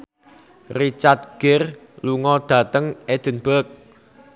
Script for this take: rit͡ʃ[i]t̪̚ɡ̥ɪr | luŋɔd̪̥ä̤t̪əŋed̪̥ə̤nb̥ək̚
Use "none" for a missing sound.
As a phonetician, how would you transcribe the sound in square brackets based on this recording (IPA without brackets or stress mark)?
a